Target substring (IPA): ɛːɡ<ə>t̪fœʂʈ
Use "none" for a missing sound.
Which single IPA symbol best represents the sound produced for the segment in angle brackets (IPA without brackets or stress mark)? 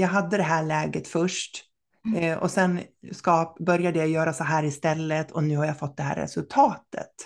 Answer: ə